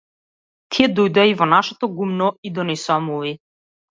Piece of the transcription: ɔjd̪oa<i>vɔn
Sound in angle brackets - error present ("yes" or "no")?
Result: no